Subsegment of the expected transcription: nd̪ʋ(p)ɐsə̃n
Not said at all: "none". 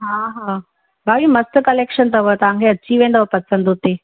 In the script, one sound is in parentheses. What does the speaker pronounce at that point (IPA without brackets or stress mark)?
p